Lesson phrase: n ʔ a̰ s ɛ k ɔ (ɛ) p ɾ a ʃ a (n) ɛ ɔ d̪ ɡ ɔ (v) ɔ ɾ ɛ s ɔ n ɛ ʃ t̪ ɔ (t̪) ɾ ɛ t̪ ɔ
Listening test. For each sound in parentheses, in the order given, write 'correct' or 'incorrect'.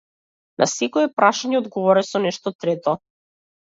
correct, incorrect, correct, correct

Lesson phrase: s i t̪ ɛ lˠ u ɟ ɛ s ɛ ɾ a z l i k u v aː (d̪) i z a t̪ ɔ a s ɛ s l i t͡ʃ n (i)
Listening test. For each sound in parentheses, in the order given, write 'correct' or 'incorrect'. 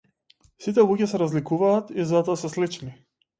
incorrect, correct

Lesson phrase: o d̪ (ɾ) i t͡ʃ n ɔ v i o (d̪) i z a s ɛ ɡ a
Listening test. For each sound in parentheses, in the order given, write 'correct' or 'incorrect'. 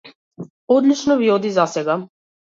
incorrect, correct

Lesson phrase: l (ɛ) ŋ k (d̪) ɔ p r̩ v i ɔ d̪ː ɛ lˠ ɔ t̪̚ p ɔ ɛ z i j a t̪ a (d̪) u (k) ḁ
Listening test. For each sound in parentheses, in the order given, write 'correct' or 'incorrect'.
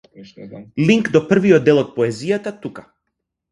incorrect, correct, incorrect, correct

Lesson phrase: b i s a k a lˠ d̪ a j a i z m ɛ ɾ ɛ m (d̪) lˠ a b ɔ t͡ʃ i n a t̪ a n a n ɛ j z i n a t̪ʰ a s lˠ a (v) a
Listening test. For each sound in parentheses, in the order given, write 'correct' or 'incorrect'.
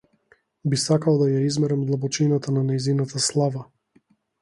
correct, correct

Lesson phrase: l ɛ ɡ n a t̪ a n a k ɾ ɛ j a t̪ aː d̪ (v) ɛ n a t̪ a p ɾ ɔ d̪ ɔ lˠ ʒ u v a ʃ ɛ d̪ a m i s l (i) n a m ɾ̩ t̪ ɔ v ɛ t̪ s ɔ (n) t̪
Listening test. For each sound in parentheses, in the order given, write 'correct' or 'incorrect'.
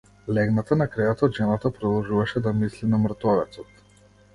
incorrect, correct, incorrect

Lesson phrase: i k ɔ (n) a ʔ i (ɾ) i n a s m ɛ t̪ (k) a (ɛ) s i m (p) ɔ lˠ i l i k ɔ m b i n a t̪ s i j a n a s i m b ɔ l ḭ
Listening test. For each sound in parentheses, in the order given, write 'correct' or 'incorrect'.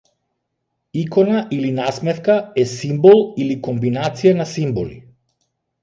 correct, incorrect, correct, correct, incorrect

